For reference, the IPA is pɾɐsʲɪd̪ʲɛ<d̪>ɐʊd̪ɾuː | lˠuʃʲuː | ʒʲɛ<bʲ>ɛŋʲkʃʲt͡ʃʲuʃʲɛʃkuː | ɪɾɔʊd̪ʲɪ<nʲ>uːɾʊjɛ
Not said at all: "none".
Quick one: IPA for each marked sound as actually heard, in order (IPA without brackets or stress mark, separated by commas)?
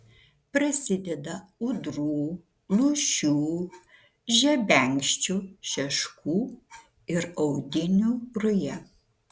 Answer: d̪, bʲ, nʲ